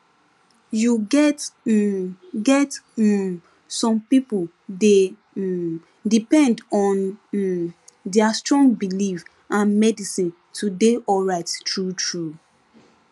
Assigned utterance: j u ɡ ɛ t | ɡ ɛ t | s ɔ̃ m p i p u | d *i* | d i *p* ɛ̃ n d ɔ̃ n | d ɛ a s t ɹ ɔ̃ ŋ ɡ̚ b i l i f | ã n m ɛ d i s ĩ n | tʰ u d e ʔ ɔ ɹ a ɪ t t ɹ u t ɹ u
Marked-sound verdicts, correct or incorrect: incorrect, correct

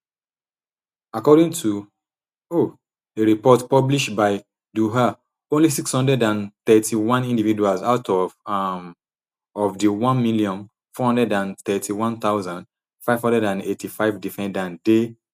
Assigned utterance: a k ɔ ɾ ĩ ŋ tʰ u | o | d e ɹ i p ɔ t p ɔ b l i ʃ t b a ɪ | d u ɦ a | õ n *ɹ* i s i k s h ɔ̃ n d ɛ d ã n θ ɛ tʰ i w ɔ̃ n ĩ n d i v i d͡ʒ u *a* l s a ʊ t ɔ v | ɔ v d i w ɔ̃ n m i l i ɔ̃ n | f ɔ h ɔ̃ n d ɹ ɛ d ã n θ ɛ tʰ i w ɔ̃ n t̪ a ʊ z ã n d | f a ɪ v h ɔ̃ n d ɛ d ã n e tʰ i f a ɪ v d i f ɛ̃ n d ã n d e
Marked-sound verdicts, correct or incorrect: incorrect, correct

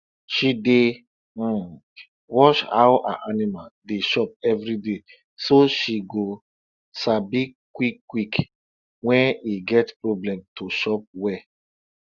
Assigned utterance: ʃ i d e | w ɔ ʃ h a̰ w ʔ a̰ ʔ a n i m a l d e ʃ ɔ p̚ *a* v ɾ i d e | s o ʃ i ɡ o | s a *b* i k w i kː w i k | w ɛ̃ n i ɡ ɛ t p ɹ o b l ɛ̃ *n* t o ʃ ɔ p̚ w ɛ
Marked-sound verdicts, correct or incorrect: incorrect, correct, incorrect

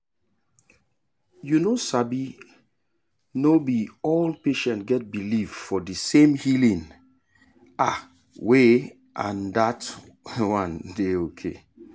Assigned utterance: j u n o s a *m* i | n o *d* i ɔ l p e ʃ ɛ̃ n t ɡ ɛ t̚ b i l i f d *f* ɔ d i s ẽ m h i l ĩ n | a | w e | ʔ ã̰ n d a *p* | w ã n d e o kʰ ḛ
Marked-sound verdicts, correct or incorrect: incorrect, incorrect, correct, incorrect

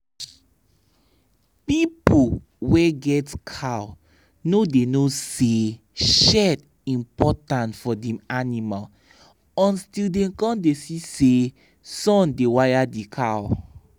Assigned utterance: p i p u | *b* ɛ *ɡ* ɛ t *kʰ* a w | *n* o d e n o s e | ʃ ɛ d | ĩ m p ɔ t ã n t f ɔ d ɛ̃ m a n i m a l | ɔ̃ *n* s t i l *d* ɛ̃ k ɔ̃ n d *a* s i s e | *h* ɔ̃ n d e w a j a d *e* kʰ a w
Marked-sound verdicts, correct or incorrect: incorrect, correct, correct, correct, correct, correct, incorrect, incorrect, incorrect

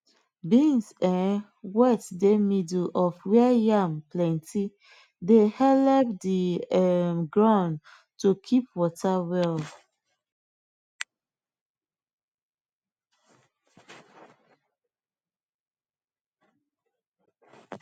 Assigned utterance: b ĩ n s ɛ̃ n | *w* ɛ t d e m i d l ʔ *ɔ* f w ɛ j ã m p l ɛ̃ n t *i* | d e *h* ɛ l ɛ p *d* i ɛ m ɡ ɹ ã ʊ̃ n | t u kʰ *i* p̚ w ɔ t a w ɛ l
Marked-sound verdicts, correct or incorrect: correct, correct, correct, correct, correct, correct

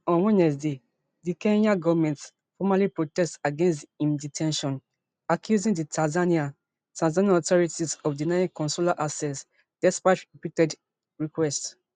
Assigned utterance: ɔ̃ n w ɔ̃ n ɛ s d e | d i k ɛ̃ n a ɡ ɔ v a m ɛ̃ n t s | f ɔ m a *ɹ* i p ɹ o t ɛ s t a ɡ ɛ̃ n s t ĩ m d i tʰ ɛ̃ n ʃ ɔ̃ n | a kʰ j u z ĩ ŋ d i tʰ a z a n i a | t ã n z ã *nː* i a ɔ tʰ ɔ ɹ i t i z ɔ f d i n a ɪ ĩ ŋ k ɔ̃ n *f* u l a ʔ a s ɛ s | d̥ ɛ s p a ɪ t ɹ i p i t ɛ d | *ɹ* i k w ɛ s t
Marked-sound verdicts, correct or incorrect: incorrect, incorrect, incorrect, correct

